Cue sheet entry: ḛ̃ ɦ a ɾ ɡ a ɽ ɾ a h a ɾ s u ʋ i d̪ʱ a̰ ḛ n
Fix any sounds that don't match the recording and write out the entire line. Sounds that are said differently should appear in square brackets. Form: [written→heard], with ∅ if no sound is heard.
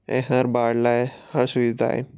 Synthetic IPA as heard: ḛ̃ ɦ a ɾ [ɡ→b] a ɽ [ɾ→l] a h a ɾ s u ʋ i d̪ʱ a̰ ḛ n